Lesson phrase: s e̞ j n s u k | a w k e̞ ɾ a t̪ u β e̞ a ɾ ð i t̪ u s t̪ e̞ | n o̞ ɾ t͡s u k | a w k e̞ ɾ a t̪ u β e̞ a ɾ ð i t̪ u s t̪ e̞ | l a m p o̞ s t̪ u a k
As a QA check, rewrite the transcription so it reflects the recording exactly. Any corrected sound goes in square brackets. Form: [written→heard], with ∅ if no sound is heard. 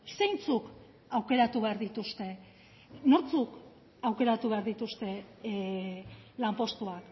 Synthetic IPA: s e̞ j n [s→t͡s] u k | a w k e̞ ɾ a t̪ u β e̞ a ɾ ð i t̪ u s t̪ e̞ | n o̞ ɾ t͡s u k | a w k e̞ ɾ a t̪ u β e̞ a ɾ ð i t̪ u s t̪ e̞ | l a m p o̞ s t̪ u a k